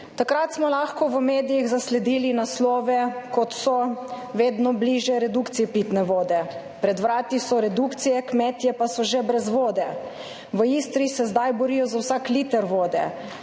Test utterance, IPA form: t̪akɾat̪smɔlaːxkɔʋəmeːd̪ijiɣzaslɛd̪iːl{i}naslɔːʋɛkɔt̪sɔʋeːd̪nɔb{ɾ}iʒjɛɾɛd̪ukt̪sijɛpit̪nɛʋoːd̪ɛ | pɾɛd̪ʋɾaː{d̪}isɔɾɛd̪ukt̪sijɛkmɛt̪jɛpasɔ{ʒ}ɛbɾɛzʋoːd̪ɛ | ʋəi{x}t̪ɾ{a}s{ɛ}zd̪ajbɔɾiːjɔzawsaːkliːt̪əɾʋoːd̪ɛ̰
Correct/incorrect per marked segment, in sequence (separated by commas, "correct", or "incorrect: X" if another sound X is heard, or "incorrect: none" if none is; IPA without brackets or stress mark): correct, incorrect: l, incorrect: t̪, correct, incorrect: s, incorrect: i, correct